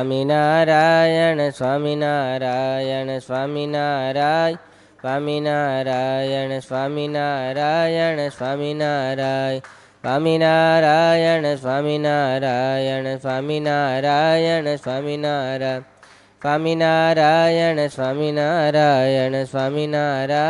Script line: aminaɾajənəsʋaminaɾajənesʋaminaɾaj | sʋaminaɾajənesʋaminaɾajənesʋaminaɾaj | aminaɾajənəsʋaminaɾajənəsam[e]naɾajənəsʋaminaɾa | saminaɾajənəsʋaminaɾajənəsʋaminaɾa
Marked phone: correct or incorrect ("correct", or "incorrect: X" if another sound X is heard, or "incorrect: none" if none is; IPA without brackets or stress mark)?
incorrect: i